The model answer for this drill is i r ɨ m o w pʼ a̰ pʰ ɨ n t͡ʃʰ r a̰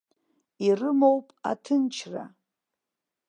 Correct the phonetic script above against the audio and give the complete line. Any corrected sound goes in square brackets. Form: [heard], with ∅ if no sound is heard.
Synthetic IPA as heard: i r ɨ m o w pʼ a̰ [tʰ] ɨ n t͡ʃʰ r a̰